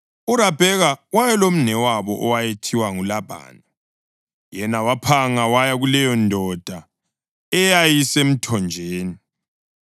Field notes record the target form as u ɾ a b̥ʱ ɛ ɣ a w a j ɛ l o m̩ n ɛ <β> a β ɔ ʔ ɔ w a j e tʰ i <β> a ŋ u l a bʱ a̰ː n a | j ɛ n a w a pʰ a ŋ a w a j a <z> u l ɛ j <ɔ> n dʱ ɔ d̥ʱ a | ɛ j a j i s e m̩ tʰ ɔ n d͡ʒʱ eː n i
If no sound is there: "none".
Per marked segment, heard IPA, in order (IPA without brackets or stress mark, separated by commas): w, w, ɣ, ɔ